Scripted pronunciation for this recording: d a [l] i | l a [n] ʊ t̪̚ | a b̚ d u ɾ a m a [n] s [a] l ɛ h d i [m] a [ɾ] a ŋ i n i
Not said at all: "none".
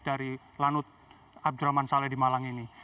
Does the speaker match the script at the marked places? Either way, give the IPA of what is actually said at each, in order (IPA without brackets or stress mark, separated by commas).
ɾ, n, n, a, m, l